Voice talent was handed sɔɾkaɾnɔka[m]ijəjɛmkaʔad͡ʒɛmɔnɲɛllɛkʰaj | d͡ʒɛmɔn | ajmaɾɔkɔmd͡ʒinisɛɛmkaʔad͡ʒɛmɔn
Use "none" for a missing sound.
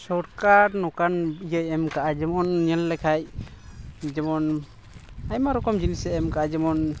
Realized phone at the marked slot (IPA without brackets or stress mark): n